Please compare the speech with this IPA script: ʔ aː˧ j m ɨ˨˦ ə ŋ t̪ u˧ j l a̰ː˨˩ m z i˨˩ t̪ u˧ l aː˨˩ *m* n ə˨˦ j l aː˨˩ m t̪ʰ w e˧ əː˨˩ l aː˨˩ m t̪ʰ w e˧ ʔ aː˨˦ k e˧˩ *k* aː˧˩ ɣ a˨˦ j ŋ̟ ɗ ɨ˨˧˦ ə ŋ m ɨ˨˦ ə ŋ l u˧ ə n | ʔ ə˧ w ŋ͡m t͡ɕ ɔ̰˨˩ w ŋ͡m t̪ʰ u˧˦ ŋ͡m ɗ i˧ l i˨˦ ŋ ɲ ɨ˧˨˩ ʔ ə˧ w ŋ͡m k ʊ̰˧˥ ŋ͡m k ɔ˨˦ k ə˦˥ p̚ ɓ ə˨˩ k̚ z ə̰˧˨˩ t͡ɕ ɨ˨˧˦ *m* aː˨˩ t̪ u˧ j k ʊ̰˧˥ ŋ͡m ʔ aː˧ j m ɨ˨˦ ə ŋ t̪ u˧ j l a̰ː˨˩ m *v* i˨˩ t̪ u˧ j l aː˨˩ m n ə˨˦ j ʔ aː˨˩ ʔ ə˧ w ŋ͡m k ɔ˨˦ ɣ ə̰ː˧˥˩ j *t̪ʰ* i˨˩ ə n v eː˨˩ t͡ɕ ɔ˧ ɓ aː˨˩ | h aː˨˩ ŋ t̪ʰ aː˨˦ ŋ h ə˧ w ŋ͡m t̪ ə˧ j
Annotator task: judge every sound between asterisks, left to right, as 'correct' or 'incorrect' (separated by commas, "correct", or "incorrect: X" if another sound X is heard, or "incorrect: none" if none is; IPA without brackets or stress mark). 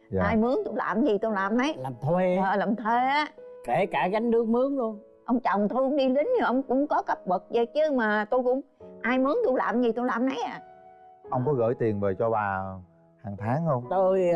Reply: correct, correct, correct, incorrect: z, incorrect: t̪